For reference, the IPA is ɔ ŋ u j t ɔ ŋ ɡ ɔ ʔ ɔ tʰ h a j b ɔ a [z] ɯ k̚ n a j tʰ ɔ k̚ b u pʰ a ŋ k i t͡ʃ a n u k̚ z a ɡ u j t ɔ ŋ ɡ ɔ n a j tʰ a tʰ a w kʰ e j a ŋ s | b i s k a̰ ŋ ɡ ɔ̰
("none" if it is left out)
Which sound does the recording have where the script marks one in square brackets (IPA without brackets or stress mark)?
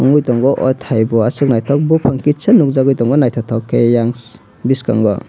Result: s